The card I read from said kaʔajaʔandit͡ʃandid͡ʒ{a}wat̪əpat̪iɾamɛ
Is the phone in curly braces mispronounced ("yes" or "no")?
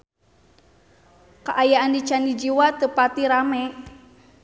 yes